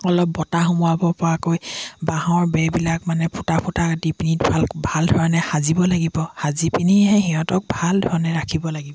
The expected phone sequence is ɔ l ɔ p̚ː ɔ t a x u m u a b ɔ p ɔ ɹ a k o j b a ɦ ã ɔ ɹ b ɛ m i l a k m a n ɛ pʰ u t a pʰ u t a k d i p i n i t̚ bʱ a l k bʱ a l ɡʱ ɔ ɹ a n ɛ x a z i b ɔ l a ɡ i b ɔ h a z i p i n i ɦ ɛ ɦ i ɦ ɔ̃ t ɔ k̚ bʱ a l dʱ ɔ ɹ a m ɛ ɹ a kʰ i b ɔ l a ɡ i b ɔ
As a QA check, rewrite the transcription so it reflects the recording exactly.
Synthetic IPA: ɔ l ɔ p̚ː ɔ t a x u m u a b ɔ p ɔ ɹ a k o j b a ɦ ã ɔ ɹ b ɛ b i l a k m a n ɛ pʰ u t a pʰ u t a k d i p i n i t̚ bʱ a l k bʱ a l dʱ ɔ ɹ a n ɛ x a z i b ɔ l a ɡ i b ɔ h a z i p i n i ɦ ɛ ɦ i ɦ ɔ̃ t ɔ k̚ bʱ a l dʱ ɔ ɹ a n ɛ ɹ a kʰ i b ɔ l a ɡ i b ɔ

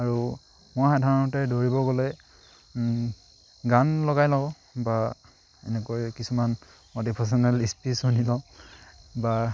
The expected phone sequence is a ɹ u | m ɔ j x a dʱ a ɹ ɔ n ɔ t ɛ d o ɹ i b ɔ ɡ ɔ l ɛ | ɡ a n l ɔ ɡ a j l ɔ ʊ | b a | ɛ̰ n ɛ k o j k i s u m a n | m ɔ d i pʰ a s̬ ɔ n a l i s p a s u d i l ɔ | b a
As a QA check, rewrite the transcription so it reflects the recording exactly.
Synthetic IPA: a ɹ u | m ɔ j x a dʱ a ɹ ɔ n ɔ t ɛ d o ɹ i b ɔ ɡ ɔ l ɛ | ɡ a n l ɔ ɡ a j l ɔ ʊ | b a | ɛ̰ n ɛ k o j k i s u m a n | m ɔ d i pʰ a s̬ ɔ n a l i s p i s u n i l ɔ | b a

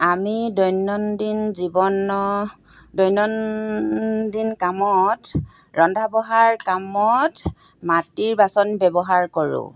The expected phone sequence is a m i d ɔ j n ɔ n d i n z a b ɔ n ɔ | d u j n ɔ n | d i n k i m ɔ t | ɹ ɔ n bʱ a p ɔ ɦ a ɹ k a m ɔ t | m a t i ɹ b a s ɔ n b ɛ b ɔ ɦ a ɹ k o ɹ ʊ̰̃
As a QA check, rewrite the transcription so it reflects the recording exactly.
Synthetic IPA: a m i d ɔ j n ɔ n d i n z i b ɔ n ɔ | d ɔ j n ɔ n | d i n k a m ɔ t | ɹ ɔ n dʱ a b ɔ ɦ a ɹ k a m ɔ t | m a t i ɹ b a s ɔ n b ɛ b ɔ ɦ a ɹ k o ɹ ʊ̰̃

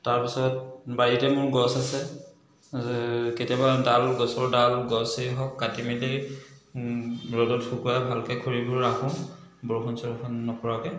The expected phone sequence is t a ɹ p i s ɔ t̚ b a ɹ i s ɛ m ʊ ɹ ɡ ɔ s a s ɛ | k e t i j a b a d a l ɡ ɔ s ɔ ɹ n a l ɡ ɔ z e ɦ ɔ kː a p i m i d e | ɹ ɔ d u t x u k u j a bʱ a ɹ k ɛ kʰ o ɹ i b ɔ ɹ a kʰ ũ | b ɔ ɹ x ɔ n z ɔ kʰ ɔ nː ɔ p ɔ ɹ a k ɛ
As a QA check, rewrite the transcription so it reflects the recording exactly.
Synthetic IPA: t a ɹ p i s ɔ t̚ b a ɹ i t ɛ m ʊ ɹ ɡ ɔ s a s ɛ | k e t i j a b a d a l ɡ ɔ s ɔ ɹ d a l ɡ ɔ s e ɦ ɔ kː a t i m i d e | ɹ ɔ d ɔ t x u k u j a bʱ a l k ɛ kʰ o ɹ i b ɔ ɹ a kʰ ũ | b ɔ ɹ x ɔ n s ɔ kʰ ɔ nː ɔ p ɔ ɹ a k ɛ

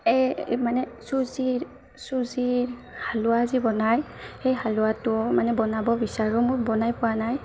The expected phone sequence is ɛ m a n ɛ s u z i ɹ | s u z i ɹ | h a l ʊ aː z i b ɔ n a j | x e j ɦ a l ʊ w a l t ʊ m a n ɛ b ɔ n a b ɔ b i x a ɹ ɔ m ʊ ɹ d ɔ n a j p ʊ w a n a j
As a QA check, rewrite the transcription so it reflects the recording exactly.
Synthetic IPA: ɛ m a n ɛ s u z i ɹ | s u z i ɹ | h a l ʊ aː z i b ɔ n a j | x e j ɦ a l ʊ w a t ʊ m a n ɛ b ɔ n a b ɔ b i s a ɹ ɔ m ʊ ɹ b ɔ n a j p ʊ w a n a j

